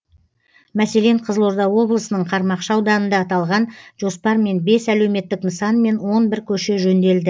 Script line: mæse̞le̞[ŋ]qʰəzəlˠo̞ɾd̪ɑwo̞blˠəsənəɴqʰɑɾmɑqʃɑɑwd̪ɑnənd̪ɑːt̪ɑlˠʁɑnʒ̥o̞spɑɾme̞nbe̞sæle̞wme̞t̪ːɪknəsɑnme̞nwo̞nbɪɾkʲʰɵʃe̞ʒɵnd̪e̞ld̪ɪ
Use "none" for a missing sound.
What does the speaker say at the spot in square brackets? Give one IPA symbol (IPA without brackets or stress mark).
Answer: ɴ